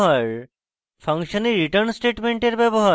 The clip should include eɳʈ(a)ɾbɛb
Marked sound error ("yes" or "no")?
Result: yes